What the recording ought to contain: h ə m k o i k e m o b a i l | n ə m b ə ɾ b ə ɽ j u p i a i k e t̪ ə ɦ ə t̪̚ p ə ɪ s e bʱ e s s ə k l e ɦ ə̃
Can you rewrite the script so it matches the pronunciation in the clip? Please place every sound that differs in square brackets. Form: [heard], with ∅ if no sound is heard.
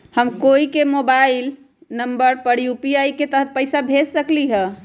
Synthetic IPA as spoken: h ə m k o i k e m o b a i l | n ə m b ə ɾ [p] ə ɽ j u p i a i k e t̪ ə ɦ ə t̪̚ p ə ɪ s [a] bʱ e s s ə k l [i] ɦ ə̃